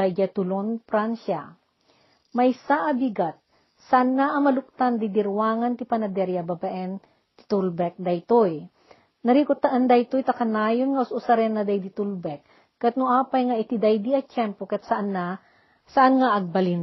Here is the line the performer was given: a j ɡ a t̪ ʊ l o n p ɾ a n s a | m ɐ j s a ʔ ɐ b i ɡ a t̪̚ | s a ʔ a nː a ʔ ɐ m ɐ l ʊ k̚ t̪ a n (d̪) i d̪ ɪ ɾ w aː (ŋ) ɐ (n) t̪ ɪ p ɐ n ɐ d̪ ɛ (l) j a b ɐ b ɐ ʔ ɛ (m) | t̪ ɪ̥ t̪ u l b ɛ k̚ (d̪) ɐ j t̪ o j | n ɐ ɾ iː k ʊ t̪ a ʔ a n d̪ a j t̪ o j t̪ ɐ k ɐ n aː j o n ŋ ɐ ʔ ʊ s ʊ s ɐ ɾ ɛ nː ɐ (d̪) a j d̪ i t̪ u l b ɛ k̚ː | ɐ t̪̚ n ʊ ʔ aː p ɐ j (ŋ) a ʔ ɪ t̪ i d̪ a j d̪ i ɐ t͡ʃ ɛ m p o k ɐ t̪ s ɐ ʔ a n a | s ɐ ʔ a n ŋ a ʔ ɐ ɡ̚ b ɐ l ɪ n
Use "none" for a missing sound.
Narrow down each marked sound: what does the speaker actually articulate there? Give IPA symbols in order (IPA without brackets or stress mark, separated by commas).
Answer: d̪, ŋ, n, ɾ, n, d̪, d̪, ŋ